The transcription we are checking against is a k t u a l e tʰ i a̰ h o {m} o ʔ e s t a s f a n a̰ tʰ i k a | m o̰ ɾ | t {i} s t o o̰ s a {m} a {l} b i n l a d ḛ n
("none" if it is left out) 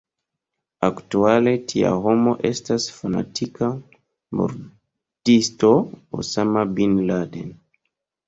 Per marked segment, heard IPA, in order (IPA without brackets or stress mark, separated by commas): m, i, m, none